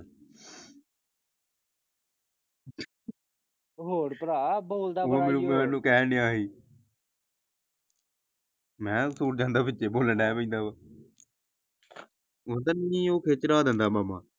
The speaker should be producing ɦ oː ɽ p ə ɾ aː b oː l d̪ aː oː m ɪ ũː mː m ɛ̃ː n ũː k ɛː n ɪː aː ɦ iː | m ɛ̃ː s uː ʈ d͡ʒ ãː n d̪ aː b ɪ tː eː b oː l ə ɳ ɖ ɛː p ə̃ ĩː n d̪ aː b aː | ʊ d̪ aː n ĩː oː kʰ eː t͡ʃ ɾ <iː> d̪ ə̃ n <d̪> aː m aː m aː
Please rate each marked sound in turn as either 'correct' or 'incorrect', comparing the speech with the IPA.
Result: incorrect, correct

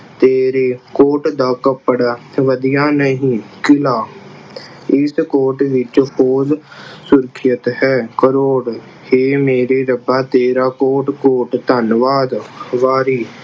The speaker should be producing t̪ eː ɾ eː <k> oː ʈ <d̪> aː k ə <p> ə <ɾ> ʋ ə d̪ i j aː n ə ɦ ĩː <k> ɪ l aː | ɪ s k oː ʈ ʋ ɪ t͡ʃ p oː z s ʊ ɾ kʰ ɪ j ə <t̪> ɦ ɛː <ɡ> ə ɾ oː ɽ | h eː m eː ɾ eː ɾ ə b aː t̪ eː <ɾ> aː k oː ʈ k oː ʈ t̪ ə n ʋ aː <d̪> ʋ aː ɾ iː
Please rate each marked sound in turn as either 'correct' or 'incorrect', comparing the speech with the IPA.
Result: correct, correct, correct, incorrect, correct, correct, incorrect, correct, correct

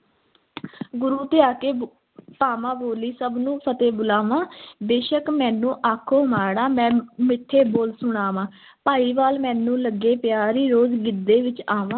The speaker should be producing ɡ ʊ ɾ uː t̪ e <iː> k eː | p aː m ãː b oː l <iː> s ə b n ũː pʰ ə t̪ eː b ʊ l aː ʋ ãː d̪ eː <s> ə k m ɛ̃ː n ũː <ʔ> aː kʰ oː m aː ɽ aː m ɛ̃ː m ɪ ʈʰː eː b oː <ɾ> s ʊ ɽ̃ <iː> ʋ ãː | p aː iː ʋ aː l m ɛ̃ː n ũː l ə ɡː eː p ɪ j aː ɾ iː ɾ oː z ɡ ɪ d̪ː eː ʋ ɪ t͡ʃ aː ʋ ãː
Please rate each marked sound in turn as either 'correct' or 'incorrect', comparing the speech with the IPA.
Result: incorrect, correct, incorrect, correct, incorrect, incorrect

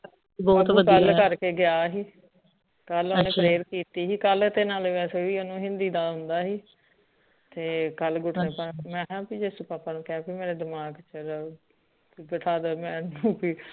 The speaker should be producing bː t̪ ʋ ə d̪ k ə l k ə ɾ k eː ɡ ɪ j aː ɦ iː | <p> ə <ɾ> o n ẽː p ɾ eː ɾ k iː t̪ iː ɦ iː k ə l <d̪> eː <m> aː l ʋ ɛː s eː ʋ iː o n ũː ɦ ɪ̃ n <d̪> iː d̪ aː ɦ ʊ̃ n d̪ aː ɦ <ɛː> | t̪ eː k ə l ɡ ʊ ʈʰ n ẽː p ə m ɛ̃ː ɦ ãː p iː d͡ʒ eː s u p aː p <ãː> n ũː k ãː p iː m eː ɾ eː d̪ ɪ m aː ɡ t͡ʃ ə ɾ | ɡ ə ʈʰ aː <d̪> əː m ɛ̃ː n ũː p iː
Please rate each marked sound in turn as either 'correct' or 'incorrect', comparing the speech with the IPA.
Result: incorrect, incorrect, incorrect, incorrect, correct, incorrect, incorrect, correct

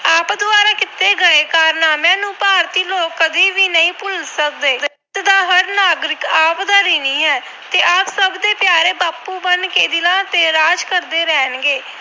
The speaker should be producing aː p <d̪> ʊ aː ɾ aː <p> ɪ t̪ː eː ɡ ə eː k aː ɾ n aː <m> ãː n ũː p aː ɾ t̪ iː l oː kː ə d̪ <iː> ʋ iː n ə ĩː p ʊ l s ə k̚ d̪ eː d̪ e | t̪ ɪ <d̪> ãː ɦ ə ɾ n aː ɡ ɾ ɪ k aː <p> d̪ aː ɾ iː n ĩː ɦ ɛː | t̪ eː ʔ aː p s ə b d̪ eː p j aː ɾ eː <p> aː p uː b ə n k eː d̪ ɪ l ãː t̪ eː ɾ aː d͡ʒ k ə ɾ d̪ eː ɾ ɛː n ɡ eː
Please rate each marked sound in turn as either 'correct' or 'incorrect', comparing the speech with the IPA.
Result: correct, incorrect, correct, correct, correct, correct, incorrect

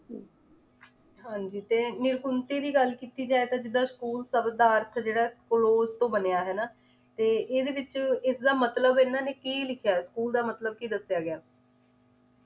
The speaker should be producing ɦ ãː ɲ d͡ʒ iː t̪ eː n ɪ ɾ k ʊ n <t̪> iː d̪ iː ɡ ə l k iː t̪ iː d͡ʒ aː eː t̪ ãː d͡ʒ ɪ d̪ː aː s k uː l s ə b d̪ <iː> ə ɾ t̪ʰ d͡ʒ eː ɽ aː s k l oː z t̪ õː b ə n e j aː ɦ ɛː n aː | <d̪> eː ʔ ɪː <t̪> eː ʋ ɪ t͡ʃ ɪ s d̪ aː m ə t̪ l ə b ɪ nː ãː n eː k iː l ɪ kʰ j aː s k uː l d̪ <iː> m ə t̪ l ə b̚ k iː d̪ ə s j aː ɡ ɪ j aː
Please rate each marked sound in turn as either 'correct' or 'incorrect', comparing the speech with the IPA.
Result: correct, incorrect, incorrect, incorrect, incorrect

